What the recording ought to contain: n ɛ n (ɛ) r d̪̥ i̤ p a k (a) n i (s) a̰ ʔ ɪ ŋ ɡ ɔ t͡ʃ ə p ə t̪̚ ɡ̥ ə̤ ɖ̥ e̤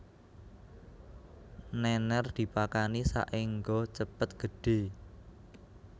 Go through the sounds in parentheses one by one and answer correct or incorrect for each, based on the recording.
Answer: correct, correct, correct

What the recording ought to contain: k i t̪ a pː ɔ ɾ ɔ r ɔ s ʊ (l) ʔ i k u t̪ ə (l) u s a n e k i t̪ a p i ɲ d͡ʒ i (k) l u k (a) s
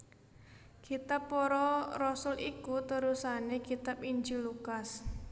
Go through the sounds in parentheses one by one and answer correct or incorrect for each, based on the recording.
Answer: correct, incorrect: ɾ, incorrect: none, correct

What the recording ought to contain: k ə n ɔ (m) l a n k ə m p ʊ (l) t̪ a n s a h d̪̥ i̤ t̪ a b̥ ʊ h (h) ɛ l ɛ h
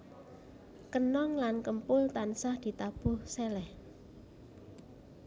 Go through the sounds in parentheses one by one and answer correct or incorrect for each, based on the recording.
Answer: incorrect: ŋ, correct, incorrect: s

